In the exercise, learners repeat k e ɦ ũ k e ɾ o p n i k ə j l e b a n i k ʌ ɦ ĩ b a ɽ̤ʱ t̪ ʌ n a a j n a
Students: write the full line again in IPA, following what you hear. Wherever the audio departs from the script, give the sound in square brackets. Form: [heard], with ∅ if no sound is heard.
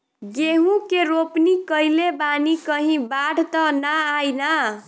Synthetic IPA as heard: [ɡ] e ɦ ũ k e ɾ o p n i k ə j l e b a n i k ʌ ɦ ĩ b a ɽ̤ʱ t̪ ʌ n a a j n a